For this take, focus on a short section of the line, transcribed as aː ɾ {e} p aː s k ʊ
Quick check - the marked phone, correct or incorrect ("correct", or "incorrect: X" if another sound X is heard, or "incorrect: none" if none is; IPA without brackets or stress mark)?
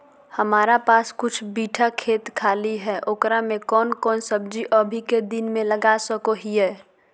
incorrect: a